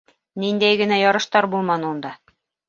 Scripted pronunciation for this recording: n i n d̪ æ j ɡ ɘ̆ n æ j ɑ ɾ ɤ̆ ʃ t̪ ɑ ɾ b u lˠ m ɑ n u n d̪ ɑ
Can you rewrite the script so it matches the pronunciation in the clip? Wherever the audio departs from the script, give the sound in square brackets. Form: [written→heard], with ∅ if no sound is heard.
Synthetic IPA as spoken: n i n d̪ æ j ɡ ɘ̆ n æ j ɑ ɾ ɤ̆ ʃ t̪ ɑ ɾ b u lˠ m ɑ n u n d̪ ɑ